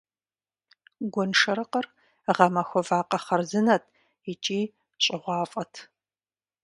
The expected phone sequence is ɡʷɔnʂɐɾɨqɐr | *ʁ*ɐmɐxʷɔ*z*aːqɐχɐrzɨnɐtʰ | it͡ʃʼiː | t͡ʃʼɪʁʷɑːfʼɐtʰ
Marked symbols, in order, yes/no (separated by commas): yes, no